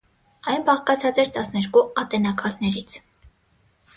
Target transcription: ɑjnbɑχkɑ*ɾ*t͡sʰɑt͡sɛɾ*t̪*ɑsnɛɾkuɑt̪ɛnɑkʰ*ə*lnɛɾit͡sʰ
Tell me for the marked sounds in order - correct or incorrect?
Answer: incorrect: none, correct, incorrect: ɑ

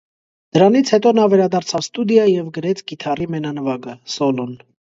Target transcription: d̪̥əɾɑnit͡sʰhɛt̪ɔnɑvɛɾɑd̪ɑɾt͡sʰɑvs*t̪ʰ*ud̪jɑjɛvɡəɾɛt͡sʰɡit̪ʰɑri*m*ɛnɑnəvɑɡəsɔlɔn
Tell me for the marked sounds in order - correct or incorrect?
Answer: incorrect: t̪, correct

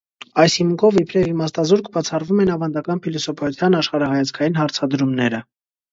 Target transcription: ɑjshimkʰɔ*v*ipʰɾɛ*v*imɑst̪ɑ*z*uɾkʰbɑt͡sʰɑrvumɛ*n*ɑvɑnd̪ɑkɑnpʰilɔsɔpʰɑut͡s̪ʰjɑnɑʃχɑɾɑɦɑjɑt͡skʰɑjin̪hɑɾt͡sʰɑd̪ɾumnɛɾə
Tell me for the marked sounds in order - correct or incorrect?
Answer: correct, correct, correct, correct

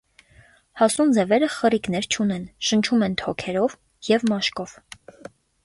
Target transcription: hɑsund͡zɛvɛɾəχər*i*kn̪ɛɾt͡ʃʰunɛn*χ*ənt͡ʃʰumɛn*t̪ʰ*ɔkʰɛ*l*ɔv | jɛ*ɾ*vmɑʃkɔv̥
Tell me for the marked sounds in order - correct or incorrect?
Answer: correct, incorrect: ʃ, correct, incorrect: ɾ, incorrect: none

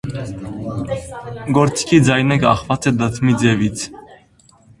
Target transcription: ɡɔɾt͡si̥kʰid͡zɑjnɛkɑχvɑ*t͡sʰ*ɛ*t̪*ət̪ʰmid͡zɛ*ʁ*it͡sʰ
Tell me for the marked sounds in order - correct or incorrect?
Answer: incorrect: t͡s, incorrect: d̪, incorrect: v

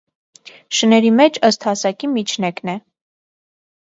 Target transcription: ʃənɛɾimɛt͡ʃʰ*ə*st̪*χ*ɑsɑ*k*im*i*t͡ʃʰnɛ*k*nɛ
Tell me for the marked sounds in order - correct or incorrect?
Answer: correct, incorrect: h, correct, correct, correct

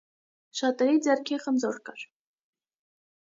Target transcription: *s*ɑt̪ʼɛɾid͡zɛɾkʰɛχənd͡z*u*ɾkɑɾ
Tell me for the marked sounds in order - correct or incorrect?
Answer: incorrect: ʃ, incorrect: ɔ

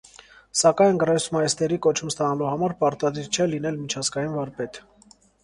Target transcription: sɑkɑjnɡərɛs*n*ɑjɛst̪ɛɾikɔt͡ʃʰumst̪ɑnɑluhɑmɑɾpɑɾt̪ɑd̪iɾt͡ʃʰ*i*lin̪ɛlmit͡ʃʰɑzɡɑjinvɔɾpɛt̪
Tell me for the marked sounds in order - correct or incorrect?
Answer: incorrect: m, incorrect: ɛ

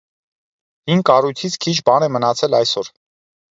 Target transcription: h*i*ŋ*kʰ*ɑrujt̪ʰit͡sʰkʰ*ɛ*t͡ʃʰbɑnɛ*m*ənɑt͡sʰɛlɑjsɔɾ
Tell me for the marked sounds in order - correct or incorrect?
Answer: correct, incorrect: k, incorrect: i, correct

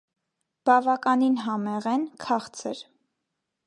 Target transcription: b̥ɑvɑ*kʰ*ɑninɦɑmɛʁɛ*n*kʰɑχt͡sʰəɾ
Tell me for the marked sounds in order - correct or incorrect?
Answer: incorrect: k, correct

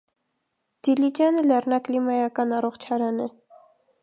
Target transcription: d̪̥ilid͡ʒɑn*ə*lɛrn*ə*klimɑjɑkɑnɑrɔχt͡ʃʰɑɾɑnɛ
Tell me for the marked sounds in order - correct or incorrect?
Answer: correct, incorrect: ɑ

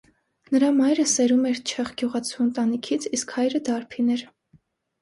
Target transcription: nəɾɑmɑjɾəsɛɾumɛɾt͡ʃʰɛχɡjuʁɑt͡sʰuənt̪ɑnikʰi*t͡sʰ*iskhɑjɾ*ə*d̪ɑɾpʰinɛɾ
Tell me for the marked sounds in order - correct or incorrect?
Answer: correct, correct

